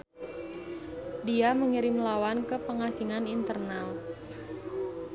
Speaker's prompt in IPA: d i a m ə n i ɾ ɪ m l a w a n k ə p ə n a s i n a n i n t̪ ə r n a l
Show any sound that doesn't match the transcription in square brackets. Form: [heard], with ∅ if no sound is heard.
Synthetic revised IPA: d i a m ə [ŋ] i ɾ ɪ m l a w a n k ə p ə [ŋ] a s i [ŋ] a n i n t̪ ə r n a l